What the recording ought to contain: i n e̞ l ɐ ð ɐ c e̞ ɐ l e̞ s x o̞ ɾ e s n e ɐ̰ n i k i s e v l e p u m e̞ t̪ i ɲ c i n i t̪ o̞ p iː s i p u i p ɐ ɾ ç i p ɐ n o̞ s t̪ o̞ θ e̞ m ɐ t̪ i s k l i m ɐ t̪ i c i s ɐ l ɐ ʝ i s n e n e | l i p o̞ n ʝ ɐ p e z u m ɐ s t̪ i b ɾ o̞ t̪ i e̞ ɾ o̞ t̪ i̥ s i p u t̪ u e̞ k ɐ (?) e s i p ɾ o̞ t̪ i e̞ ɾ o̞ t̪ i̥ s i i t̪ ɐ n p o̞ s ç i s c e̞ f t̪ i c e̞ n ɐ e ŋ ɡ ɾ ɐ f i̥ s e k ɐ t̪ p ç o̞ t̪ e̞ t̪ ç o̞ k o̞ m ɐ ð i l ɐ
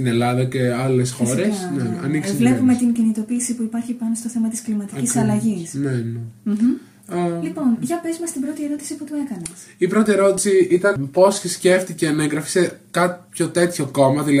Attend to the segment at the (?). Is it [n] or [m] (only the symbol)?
n